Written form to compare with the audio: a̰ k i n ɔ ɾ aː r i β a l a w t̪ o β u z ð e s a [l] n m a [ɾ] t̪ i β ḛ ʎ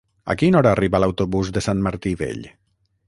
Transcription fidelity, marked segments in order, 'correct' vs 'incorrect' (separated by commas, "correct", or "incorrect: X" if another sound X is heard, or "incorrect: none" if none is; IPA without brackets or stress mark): incorrect: none, correct